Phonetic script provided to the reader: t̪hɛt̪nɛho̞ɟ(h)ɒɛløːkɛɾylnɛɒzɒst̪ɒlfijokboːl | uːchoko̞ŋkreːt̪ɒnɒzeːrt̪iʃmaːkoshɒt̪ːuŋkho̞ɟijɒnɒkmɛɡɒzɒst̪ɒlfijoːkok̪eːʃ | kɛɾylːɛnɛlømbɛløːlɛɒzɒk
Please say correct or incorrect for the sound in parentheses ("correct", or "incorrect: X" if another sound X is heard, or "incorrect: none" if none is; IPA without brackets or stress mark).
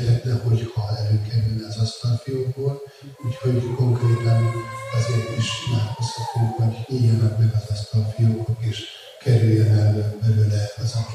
correct